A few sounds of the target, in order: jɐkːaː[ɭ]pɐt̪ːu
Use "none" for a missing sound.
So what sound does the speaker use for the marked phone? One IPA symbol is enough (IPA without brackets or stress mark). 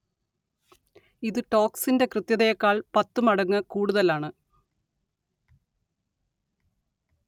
ɭ